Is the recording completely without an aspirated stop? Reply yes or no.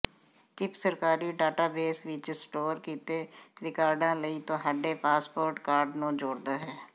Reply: yes